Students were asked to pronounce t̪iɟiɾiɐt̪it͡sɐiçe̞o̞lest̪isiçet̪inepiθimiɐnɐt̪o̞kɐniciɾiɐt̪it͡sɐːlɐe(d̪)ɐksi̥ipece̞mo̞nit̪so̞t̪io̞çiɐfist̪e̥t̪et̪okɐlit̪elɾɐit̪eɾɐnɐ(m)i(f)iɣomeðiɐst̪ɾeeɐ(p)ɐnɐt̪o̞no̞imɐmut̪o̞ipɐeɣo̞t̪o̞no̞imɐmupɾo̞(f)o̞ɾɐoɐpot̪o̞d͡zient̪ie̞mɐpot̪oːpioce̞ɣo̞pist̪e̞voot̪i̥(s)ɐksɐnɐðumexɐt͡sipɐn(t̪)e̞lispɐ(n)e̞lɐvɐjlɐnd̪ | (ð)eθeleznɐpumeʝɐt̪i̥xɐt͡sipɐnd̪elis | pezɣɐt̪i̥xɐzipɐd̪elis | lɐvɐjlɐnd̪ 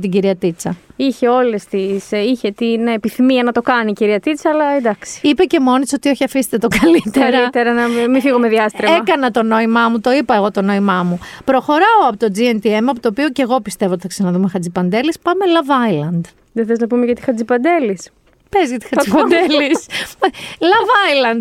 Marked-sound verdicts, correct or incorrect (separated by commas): correct, correct, correct, incorrect, incorrect, incorrect, incorrect, incorrect, correct